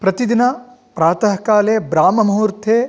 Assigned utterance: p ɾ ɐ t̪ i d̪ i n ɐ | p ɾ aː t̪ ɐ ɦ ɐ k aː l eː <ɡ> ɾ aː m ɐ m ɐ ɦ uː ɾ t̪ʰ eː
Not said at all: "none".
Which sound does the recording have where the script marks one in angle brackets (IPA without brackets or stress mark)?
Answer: b